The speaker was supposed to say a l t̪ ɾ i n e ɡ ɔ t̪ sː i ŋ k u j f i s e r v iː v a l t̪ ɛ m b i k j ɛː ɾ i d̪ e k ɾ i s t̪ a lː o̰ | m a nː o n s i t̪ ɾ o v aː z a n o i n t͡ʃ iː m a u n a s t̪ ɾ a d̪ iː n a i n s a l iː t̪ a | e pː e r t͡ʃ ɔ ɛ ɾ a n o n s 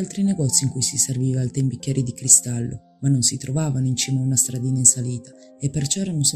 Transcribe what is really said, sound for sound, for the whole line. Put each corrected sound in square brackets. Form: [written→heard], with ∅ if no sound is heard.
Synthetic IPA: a l t̪ ɾ i n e ɡ ɔ t̪ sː i ŋ k u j [f→s] i s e r v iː v a l t̪ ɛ m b i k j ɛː ɾ i d̪ [e→i] k ɾ i s t̪ a lː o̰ | m a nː o n s i t̪ ɾ o v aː [z→v] a n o i n t͡ʃ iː m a u n a s t̪ ɾ a d̪ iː n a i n s a l iː t̪ a | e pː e r t͡ʃ ɔ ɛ ɾ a n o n s